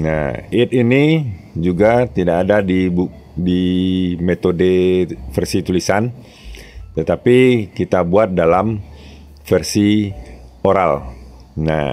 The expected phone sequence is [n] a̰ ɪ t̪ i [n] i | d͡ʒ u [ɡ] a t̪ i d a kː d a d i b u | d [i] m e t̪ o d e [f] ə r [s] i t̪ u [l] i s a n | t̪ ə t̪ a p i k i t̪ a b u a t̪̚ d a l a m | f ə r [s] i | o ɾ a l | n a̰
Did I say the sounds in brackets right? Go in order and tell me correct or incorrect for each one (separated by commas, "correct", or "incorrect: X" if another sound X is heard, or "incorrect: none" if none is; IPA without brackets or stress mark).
correct, correct, correct, correct, correct, correct, correct, correct